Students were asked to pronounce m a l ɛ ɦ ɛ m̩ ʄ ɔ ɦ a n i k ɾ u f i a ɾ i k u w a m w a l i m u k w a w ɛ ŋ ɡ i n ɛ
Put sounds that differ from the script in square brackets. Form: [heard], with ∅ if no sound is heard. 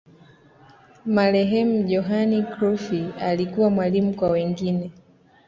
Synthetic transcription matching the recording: m a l ɛ ɦ ɛ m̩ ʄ ɔ ɦ a n i k ɾ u f i a [l] i k u w a m w a l i m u k w a w ɛ ŋ ɡ i n ɛ